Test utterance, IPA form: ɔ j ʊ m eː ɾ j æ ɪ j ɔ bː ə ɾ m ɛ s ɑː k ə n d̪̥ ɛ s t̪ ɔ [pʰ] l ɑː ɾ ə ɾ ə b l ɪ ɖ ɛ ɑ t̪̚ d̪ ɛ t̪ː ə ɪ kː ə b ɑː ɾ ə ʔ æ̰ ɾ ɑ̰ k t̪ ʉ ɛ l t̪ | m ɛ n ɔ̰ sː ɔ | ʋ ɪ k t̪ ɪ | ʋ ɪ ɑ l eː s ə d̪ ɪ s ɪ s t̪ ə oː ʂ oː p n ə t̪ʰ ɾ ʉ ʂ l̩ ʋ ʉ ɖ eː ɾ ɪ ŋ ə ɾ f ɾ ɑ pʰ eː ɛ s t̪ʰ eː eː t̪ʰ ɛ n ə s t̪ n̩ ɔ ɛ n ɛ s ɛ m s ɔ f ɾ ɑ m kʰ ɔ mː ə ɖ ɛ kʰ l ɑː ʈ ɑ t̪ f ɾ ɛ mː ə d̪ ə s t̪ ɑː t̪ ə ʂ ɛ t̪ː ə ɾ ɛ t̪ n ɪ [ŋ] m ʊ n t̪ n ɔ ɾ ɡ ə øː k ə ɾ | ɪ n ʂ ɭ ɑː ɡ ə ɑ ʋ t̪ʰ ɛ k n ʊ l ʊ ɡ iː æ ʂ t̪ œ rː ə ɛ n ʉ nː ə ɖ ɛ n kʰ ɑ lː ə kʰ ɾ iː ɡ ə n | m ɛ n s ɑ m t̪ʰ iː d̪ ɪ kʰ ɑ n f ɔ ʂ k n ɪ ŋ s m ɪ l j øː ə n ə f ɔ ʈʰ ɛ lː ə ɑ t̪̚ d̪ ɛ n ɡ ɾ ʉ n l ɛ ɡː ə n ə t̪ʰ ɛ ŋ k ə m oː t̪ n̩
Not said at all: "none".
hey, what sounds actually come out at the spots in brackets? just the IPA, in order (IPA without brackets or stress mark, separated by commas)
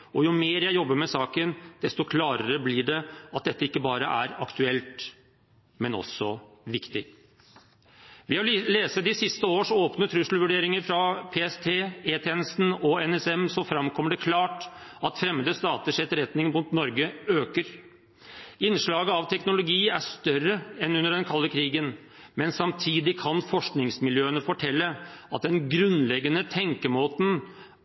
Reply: kʰ, ŋ